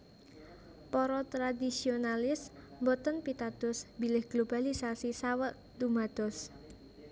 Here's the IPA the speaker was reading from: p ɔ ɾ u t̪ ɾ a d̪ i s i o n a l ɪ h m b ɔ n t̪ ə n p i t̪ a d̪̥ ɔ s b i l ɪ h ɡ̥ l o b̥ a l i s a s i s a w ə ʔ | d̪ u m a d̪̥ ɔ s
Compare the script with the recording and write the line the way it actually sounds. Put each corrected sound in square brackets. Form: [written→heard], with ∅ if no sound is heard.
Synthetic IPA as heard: p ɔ ɾ [u→ɔ] t̪ ɾ a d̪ i s i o n a l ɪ [h→s] m b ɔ [n→∅] t̪ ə n p i t̪ a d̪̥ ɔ s b i l ɪ h ɡ̥ l o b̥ a l i s a s i s a w ə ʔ | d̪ u m a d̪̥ ɔ s